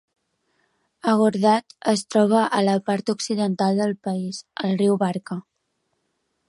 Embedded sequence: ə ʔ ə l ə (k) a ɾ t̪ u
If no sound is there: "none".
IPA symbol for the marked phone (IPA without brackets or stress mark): p